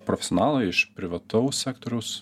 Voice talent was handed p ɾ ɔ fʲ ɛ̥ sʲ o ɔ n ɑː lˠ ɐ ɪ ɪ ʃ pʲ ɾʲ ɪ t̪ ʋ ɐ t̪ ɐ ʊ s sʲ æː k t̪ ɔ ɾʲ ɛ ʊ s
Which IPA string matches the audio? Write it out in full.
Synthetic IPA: p ɾ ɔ fʲ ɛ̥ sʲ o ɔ n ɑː lˠ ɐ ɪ ɪ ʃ pʲ ɾʲ ɪ ʋ ɐ t̪ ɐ ʊ s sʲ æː k t̪ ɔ ɾʲ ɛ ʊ s